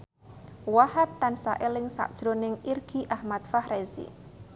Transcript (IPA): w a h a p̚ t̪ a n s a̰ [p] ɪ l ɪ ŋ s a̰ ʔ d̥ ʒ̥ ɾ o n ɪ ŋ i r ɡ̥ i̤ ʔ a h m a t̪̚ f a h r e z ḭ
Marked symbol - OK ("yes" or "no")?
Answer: no